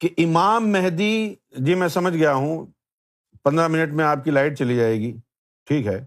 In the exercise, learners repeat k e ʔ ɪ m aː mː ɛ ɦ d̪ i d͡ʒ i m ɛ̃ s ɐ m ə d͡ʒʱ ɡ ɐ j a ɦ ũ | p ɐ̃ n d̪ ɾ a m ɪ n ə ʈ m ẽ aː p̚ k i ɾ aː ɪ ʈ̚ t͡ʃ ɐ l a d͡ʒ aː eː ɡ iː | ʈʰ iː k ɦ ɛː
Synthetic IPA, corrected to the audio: k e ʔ ɪ m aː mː ɛ ɦ d̪ i d͡ʒ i m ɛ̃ s ɐ m ə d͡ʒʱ ɡ ɐ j a ɦ ũ | p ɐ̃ n d̪ ɾ a m ɪ n ə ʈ m ẽ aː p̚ k i l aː ɪ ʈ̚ t͡ʃ ɐ l i d͡ʒ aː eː ɡ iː | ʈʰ iː k ɦ ɛː